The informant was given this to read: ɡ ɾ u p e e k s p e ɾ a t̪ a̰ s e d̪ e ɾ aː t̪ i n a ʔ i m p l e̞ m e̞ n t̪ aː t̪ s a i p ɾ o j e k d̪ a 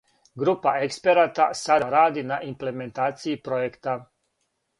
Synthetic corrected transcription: ɡ ɾ u p a e k s p e ɾ a t̪ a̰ s a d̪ a ɾ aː d̪ i n a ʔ i m p l e̞ m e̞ n t̪ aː t̪ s i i p ɾ o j e k t̪ a